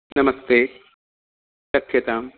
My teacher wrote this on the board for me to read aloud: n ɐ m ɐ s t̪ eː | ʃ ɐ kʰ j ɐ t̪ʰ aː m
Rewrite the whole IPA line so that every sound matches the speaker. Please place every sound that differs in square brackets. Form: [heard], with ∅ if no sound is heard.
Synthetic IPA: n ɐ m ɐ s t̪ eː | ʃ ɐ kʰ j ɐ [t̪] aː m

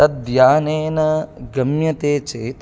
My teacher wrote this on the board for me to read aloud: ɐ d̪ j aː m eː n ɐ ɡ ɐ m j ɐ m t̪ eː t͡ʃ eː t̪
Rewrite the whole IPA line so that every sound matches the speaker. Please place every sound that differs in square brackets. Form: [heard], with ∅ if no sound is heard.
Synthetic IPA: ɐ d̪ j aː [n] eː n ɐ ɡ ɐ m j ɐ [∅] t̪ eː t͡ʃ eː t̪

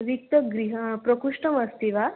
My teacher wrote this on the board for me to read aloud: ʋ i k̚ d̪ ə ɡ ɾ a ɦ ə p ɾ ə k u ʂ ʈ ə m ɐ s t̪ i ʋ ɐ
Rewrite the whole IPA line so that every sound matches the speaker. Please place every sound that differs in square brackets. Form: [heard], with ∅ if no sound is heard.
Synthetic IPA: ʋ i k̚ [t̪] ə ɡ ɾ [i] ɦ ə p ɾ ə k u ʂ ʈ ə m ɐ s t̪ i ʋ [a]

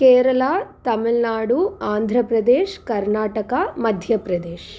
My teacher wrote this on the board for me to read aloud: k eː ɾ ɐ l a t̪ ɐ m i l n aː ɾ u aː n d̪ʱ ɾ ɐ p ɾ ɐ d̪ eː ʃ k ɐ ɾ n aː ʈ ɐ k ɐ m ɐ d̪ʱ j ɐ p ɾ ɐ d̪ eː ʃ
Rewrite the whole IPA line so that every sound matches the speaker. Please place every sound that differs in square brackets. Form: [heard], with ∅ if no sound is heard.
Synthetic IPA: k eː ɾ ɐ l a t̪ ɐ m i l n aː [ɽ] u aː n d̪ʱ ɾ ɐ p ɾ ɐ d̪ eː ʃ k ɐ ɾ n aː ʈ ɐ k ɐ m ɐ d̪ʱ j ɐ p ɾ ɐ d̪ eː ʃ

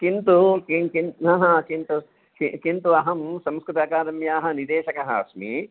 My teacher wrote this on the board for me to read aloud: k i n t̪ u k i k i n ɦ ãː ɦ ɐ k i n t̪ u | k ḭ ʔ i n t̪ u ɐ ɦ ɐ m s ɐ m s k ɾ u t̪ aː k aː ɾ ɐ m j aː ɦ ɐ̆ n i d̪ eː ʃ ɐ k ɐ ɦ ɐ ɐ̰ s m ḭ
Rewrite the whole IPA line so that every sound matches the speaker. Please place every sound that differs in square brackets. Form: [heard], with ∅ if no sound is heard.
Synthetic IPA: k i n t̪ u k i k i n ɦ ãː ɦ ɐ k i n t̪ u | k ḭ [k] i n t̪ u ɐ ɦ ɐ m s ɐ m s k ɾ u t̪ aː k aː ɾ ɐ m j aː ɦ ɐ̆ n i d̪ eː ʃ ɐ k ɐ ɦ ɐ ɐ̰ s m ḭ

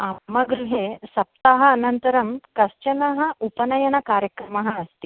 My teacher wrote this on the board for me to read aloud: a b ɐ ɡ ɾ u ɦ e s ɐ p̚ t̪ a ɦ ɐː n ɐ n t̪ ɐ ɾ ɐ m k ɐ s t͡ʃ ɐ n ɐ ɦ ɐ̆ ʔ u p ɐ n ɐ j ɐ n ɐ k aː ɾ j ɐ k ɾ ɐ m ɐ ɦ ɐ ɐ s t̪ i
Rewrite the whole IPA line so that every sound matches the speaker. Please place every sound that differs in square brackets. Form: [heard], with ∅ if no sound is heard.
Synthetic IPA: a [m] ɐ ɡ ɾ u ɦ e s ɐ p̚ t̪ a ɦ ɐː n ɐ n t̪ ɐ ɾ ɐ m k ɐ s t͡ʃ ɐ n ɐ ɦ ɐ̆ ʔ u p ɐ n ɐ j ɐ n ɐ k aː ɾ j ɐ k ɾ ɐ m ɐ ɦ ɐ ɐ s t̪ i

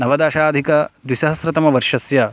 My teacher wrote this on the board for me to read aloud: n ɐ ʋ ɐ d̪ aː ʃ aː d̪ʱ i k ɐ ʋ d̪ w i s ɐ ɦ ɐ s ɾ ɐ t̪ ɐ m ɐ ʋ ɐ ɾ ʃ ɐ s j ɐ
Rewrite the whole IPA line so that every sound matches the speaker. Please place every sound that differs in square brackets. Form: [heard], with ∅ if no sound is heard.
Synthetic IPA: n ɐ ʋ ɐ d̪ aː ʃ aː d̪ʱ i k ɐ [∅] d̪ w i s ɐ ɦ ɐ s ɾ ɐ t̪ ɐ m ɐ ʋ ɐ ɾ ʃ ɐ s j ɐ

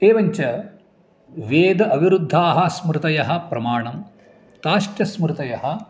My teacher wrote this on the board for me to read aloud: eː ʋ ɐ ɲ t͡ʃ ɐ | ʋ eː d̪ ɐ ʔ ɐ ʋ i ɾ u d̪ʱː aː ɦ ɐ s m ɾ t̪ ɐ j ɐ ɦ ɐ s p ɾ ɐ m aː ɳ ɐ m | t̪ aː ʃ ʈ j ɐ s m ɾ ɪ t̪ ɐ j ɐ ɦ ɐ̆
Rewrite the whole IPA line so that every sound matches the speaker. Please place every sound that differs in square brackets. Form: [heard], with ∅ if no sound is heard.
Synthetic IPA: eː ʋ ɐ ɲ t͡ʃ ɐ | ʋ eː d̪ ɐ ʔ ɐ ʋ i ɾ u d̪ʱː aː ɦ ɐ s m ɾ t̪ ɐ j ɐ ɦ ɐ [∅] p ɾ ɐ m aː ɳ ɐ m | t̪ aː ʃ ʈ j ɐ s m ɾ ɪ t̪ ɐ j ɐ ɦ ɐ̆

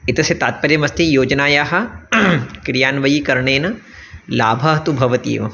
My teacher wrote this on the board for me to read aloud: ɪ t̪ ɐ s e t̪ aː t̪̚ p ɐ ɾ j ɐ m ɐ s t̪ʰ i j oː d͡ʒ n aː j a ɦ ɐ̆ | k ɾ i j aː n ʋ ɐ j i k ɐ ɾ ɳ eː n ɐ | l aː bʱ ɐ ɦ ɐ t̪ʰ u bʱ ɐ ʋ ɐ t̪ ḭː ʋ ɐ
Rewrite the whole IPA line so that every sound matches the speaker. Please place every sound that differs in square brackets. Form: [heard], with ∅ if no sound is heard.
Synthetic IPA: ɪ t̪ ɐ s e t̪ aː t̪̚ p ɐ ɾ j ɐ m ɐ s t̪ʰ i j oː d͡ʒ n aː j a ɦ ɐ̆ | k ɾ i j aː n ʋ ɐ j i k ɐ ɾ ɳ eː n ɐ | l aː bʱ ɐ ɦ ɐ [t̪] u bʱ ɐ ʋ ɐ t̪ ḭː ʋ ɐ

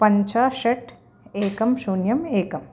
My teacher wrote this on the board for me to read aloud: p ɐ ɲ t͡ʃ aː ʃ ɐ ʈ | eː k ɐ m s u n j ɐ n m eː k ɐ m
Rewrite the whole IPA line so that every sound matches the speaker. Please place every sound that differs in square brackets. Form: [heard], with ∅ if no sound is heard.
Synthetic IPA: p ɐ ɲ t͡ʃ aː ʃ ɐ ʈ | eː k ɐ m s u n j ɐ [∅] m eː k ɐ m

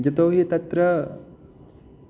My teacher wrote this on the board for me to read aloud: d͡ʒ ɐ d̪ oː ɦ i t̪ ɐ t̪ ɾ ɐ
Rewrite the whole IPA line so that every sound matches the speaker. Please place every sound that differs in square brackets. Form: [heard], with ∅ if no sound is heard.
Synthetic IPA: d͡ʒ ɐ [t̪] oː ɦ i t̪ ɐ t̪ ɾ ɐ

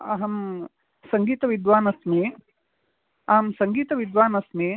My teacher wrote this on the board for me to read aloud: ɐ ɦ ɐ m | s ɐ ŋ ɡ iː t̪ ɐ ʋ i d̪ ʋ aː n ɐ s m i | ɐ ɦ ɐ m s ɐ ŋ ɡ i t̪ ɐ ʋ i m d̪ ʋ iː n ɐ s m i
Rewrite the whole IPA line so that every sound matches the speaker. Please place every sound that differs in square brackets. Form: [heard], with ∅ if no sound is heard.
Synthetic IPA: ɐ ɦ ɐ m | s ɐ ŋ ɡ iː t̪ ɐ ʋ i d̪ ʋ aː n ɐ s m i | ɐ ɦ ɐ m s ɐ ŋ ɡ [iː] t̪ ɐ ʋ i [∅] d̪ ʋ [aː] n ɐ s m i

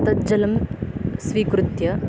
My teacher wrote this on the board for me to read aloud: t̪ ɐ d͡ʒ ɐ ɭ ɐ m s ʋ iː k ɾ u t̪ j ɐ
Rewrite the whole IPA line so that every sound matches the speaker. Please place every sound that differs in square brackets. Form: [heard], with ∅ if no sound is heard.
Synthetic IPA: t̪ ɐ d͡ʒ ɐ [l] ɐ m s ʋ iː k ɾ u t̪ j ɐ

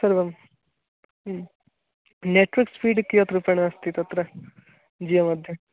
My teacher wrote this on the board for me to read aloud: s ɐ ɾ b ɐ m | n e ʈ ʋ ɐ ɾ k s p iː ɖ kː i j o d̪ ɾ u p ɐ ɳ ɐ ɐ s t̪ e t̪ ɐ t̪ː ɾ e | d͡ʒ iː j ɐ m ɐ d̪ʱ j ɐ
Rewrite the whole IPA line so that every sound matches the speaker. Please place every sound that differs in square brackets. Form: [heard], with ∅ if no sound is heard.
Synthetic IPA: s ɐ ɾ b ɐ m | n e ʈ ʋ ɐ ɾ k s p iː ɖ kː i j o [t̪] ɾ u p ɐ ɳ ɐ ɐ s t̪ [i] t̪ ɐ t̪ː ɾ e | d͡ʒ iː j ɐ m ɐ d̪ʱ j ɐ

